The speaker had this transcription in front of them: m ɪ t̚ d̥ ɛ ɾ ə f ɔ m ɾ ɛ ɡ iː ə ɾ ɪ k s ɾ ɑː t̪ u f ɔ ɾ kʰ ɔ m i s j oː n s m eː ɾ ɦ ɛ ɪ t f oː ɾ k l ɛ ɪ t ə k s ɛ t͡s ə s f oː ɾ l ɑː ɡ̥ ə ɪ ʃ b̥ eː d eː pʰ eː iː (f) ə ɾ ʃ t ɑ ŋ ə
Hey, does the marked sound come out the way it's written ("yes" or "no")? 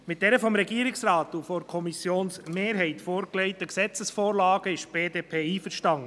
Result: yes